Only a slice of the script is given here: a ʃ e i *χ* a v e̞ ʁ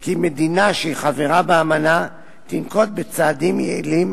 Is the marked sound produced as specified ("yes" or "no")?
yes